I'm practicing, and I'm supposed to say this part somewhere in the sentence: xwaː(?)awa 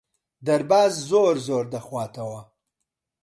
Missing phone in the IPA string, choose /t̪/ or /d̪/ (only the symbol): t̪